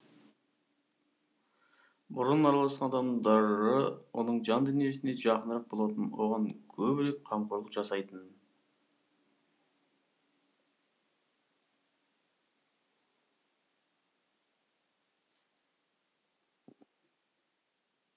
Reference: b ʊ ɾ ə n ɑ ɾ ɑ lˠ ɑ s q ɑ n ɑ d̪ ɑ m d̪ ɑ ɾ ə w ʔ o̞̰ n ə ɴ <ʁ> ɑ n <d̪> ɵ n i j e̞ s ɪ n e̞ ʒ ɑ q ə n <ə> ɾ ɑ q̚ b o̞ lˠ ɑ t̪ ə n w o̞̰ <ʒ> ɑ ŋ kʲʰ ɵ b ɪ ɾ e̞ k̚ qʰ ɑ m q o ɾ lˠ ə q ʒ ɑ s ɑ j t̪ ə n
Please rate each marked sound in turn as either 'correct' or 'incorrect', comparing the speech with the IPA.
incorrect: ʒ, correct, correct, incorrect: ʁ

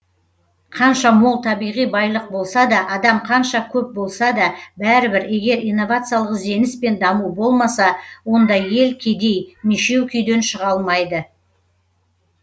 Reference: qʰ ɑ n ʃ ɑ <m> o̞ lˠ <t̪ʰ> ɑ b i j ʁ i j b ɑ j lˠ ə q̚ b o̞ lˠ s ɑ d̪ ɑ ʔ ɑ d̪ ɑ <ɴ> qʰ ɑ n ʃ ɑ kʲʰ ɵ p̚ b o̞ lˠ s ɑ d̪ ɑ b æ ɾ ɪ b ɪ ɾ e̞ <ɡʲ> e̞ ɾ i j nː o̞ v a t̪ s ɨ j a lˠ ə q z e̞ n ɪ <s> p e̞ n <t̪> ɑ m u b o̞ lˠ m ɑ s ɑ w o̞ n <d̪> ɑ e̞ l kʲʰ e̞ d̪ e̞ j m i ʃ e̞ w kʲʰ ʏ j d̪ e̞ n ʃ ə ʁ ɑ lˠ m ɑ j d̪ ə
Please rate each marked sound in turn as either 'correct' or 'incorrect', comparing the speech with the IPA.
correct, correct, incorrect: m, correct, correct, incorrect: d̪, correct

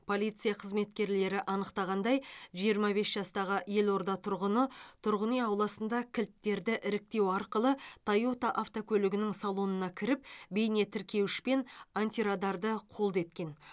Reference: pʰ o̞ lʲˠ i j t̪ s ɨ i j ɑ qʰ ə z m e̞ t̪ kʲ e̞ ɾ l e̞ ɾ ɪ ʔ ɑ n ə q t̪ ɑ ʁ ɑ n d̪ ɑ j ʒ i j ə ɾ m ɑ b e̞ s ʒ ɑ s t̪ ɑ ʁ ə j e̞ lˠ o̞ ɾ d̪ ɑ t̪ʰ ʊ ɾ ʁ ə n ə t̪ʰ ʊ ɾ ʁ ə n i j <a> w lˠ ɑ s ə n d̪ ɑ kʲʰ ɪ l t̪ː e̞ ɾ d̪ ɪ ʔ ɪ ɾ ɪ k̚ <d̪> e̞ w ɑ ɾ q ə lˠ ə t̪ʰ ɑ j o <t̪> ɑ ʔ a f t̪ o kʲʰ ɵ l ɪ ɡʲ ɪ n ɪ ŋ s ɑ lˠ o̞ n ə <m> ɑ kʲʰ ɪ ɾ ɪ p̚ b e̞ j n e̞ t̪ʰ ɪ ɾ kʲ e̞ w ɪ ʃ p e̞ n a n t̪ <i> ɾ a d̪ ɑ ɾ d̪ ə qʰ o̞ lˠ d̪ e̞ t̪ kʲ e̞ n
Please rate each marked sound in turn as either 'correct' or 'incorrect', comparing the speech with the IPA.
incorrect: ɑ, incorrect: t̪, correct, incorrect: n, correct

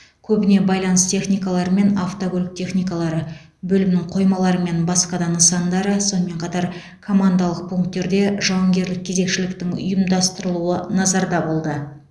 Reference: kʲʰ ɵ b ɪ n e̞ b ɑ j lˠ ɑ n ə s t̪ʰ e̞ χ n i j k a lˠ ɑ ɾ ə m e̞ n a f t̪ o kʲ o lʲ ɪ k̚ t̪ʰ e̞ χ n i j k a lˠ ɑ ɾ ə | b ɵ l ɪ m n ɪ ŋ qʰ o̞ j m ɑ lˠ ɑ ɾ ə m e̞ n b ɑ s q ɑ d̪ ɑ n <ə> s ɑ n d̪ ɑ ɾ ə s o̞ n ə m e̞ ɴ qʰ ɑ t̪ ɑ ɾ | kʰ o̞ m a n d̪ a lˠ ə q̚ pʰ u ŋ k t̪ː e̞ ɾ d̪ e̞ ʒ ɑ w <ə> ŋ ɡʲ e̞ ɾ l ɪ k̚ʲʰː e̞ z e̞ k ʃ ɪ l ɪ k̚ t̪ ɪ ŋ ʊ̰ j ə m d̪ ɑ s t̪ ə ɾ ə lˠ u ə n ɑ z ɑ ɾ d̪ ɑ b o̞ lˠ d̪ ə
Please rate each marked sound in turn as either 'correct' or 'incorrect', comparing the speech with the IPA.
correct, incorrect: ɑ

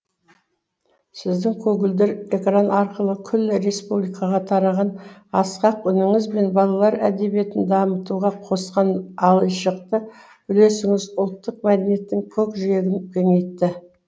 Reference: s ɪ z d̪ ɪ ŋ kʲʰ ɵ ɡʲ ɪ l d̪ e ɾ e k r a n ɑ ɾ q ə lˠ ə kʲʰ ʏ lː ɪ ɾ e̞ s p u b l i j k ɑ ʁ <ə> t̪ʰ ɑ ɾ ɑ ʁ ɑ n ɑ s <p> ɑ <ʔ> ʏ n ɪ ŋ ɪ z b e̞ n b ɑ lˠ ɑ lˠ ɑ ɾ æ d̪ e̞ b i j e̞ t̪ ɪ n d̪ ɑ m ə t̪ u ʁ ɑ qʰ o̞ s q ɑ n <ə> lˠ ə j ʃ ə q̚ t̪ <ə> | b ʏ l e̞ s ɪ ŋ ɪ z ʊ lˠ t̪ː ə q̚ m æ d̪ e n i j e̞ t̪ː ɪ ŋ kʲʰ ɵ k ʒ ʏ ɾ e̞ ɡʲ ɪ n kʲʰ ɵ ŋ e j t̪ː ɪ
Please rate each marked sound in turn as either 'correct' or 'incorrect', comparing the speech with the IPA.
incorrect: ɑ, incorrect: q, incorrect: q, incorrect: ɑ, correct

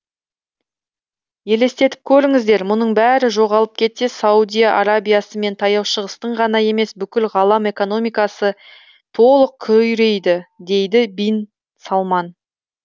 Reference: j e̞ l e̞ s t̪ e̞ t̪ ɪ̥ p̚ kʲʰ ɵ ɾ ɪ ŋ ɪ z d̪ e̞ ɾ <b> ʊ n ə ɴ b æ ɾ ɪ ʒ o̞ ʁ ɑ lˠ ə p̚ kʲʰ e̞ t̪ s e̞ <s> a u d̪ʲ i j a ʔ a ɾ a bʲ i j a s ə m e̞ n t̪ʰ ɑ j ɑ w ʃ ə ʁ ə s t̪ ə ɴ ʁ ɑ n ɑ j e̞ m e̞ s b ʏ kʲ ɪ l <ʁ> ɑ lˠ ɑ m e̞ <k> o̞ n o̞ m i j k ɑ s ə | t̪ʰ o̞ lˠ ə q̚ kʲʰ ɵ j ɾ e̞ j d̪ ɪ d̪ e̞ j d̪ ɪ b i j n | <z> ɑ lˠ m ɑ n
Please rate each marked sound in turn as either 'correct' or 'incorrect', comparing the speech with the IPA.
incorrect: m, correct, correct, correct, incorrect: s

